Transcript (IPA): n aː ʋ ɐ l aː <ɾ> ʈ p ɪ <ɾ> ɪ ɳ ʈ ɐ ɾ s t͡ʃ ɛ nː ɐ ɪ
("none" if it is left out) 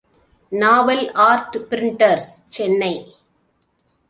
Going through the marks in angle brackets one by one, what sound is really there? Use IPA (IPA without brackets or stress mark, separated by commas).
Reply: ɾ, ɾ